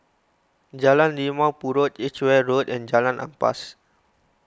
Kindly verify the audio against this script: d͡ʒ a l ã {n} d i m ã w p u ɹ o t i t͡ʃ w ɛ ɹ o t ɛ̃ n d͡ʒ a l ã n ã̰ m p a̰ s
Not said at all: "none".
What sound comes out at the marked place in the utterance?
n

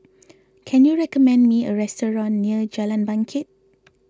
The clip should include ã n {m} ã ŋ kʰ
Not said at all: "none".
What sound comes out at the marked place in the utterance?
b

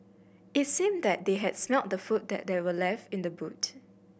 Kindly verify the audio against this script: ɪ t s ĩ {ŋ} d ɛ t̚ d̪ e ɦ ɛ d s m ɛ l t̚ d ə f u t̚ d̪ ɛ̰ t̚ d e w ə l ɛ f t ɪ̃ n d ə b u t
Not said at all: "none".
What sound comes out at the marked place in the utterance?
m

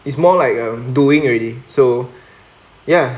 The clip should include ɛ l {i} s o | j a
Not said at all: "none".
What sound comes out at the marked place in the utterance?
i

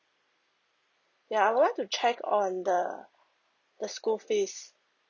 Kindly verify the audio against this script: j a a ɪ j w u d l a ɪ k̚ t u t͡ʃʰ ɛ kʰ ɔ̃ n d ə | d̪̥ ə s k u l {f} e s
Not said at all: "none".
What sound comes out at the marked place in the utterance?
f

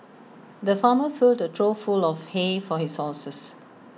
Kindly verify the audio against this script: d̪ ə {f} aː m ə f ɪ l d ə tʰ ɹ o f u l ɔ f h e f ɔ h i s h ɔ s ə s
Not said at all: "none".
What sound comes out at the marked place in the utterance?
f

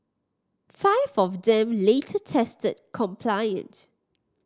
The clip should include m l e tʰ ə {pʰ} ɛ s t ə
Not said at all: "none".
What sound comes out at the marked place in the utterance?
tʰ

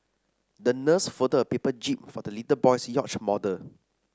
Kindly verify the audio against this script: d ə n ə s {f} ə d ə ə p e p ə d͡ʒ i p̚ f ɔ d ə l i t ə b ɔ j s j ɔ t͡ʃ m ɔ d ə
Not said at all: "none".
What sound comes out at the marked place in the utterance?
f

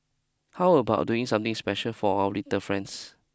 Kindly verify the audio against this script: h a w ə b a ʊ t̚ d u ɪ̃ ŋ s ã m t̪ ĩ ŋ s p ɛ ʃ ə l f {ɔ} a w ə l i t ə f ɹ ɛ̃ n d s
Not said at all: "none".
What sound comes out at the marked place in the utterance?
ɔ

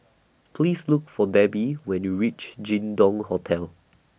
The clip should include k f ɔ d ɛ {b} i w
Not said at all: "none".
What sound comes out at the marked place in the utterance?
b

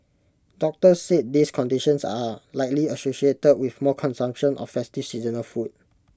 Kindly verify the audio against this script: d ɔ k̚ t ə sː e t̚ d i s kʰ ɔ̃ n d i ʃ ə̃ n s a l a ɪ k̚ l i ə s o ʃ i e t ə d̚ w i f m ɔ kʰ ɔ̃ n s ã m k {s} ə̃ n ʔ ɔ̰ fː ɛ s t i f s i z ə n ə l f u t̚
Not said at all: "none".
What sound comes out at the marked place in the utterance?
ʃ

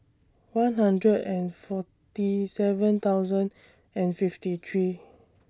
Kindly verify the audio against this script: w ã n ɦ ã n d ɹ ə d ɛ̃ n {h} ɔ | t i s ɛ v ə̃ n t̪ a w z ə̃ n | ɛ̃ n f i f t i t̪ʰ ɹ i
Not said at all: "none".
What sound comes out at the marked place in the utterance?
f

